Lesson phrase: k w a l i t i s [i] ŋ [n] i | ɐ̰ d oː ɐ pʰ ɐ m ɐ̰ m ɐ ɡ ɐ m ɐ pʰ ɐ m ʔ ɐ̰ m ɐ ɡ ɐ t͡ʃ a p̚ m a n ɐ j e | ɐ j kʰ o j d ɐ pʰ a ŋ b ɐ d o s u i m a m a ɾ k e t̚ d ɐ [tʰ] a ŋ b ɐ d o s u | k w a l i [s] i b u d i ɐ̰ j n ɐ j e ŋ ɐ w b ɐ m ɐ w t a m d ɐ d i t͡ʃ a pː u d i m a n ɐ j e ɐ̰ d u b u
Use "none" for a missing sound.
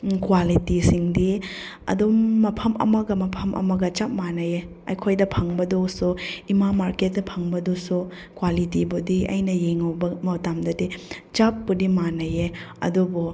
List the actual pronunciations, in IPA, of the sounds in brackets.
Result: i, d, pʰ, t

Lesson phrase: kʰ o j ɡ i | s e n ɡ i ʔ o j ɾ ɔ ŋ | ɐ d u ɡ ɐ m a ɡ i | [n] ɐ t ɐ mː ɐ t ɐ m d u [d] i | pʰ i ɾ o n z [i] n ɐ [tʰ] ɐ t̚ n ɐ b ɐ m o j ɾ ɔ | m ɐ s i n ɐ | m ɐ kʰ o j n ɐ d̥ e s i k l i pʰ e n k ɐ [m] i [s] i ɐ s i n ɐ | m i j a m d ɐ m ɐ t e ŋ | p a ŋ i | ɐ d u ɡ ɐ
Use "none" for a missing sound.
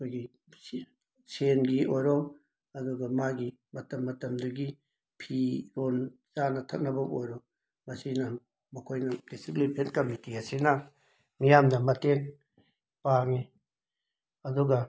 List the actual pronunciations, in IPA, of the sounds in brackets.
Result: m, ɡ, a, tʰ, m, t

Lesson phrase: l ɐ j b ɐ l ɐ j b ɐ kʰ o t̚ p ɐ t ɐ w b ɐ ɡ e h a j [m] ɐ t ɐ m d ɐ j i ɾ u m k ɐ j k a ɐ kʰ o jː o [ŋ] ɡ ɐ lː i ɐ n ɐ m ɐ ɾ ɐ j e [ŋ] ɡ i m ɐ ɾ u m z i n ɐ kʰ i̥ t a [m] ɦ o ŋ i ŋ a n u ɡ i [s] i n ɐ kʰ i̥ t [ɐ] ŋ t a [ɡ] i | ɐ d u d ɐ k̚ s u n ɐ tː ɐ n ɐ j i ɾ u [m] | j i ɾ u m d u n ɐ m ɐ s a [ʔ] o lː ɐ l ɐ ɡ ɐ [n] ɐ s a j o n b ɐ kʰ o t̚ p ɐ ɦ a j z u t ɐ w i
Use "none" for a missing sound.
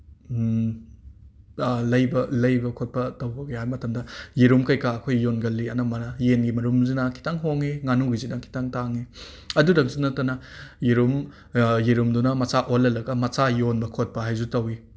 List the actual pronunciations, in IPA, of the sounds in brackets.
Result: m, n, n, ŋ, z, a, ŋ, m, ʔ, m

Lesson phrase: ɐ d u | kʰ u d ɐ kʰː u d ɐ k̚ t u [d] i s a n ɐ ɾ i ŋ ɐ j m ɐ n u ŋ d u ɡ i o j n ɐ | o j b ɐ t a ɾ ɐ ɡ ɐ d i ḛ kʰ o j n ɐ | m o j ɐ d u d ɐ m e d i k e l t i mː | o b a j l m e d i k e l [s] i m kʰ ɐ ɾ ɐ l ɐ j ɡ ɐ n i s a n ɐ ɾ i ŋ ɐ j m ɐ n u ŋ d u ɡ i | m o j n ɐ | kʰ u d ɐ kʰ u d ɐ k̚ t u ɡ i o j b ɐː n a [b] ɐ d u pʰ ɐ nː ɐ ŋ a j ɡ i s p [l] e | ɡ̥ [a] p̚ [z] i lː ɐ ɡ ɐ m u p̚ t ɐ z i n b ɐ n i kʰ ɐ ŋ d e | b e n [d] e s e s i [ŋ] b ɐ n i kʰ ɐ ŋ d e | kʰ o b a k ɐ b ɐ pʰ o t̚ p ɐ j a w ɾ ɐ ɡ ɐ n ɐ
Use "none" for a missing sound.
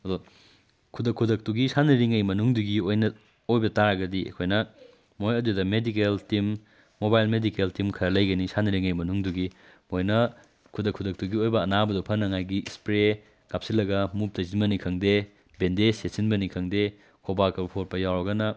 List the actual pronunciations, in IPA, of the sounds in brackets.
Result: ɡ, t, b, ɾ, a, s, d, n

